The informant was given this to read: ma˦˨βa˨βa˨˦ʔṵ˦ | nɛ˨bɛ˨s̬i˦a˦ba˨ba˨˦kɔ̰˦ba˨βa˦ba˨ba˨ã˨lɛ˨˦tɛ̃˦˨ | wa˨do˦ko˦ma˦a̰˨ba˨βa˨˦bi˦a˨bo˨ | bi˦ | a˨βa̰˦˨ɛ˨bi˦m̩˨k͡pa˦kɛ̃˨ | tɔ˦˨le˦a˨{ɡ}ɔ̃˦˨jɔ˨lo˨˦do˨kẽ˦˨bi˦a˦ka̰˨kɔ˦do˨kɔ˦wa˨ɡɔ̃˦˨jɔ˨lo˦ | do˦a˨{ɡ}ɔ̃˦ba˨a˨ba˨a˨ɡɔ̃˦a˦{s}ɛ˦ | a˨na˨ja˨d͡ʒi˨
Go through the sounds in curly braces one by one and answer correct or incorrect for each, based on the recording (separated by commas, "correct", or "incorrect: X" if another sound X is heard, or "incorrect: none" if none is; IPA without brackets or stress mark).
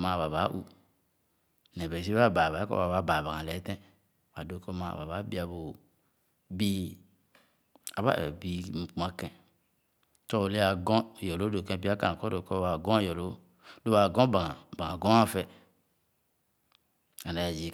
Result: correct, correct, incorrect: f